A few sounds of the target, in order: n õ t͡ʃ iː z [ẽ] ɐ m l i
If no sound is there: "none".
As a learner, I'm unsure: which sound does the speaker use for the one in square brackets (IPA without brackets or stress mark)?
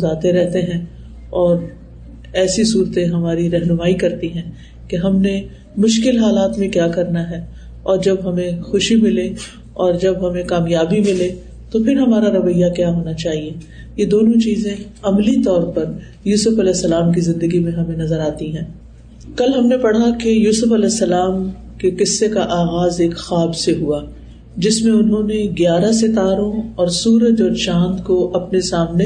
ẽ